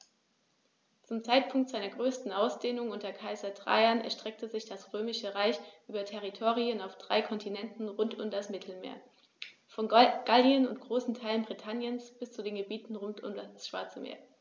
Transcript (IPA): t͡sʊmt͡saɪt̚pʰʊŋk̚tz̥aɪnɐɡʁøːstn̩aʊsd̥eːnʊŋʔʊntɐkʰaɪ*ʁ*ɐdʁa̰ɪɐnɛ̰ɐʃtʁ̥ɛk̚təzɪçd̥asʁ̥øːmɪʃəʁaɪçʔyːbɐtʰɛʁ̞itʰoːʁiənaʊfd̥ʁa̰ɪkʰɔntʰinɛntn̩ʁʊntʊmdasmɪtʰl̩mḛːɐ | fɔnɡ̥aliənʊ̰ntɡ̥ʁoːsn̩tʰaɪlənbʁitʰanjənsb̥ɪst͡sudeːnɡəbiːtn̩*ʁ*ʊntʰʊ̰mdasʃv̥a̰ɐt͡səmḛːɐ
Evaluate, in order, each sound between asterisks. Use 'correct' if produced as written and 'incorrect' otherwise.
incorrect: z, correct

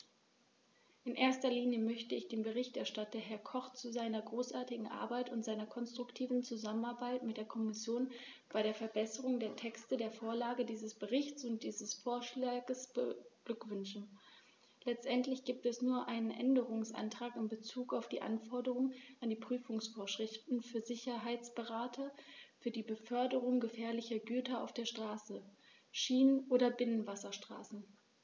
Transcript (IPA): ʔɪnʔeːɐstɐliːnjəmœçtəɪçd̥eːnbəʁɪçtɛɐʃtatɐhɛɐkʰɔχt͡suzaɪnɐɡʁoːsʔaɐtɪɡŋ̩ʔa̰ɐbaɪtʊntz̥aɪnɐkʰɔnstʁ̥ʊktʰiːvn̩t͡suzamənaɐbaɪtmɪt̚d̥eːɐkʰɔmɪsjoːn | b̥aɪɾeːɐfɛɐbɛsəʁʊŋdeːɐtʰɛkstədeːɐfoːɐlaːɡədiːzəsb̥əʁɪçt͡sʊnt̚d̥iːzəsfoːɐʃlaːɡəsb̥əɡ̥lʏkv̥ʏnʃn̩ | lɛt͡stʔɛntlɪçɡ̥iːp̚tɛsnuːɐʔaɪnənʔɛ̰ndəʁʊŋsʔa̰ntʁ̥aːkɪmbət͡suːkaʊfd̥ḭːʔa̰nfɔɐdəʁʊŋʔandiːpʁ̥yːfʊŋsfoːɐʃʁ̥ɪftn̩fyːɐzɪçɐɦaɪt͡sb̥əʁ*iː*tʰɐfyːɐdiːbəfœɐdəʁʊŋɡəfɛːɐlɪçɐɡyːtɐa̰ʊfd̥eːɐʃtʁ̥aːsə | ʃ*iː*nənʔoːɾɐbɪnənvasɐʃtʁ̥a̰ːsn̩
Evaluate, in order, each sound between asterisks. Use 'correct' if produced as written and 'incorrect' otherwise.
incorrect: aː, correct

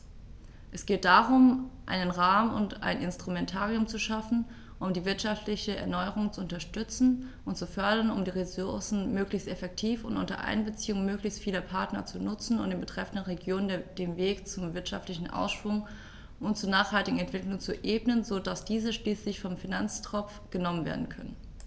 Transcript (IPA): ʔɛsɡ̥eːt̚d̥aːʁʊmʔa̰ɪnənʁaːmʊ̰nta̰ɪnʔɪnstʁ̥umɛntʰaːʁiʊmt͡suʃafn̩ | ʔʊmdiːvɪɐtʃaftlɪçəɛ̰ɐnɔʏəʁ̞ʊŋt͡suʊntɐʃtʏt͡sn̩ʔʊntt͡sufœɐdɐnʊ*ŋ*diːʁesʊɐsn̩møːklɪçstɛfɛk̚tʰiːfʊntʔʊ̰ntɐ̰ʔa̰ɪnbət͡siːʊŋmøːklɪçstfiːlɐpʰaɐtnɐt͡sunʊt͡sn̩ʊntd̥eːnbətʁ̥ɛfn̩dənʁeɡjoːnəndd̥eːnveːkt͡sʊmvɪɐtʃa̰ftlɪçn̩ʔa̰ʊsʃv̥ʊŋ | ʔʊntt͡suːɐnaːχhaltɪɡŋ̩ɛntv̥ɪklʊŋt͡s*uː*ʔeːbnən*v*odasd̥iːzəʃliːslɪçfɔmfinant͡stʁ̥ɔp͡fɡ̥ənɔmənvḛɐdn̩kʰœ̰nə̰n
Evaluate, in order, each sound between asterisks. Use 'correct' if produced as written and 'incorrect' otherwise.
incorrect: m, incorrect: u, incorrect: z

